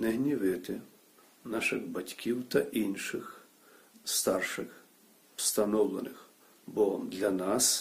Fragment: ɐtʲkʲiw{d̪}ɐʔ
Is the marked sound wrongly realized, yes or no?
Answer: yes